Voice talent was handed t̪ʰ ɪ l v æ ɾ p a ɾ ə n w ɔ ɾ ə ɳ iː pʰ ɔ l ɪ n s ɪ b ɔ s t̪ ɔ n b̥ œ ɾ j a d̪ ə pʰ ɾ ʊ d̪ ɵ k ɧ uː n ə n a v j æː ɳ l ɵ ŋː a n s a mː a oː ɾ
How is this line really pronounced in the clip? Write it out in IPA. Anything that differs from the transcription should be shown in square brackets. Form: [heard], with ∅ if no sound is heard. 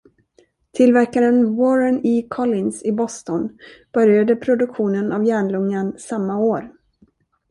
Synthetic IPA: t̪ʰ ɪ l v æ ɾ [k] a ɾ ə n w ɔ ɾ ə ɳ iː [kʰ] ɔ l ɪ n s ɪ b ɔ s t̪ ɔ n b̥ œ ɾ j a d̪ ə pʰ ɾ ʊ d̪ ɵ k ɧ uː n ə n a v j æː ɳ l ɵ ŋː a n s a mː a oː ɾ